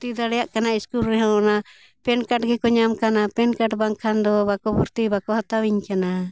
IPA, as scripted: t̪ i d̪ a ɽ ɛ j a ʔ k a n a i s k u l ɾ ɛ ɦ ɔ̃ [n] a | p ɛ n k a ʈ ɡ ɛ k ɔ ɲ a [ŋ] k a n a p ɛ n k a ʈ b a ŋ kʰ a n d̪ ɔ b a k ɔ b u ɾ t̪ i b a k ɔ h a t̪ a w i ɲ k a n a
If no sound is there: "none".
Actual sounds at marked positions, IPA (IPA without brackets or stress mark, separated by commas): n, m